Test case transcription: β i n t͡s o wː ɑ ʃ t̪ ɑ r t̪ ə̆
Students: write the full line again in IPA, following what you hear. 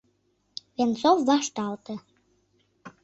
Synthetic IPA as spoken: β e n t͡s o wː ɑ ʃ t̪ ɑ l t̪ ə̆